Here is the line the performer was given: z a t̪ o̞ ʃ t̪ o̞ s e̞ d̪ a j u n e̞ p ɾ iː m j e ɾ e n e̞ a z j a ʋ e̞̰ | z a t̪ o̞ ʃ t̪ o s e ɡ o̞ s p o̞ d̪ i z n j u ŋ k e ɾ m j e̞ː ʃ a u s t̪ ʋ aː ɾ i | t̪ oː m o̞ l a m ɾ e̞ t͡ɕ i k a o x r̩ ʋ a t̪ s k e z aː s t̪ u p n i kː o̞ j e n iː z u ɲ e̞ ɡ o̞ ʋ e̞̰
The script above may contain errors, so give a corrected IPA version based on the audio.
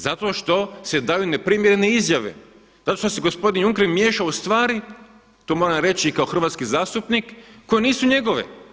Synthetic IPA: z a t̪ o̞ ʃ t̪ o̞ s e̞ d̪ a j u n e̞ p ɾ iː m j e ɾ e n e̞ i z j a ʋ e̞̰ | z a t̪ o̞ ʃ t̪ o s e ɡ o̞ s p o̞ d̪ i n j u ŋ k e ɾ m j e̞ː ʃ a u s t̪ ʋ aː ɾ i | t̪ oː m o̞ ɾ a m ɾ e̞ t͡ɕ i k a o x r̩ ʋ a t̪ s k i z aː s t̪ u p n i kː o̞ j e n iː s u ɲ e̞ ɡ o̞ ʋ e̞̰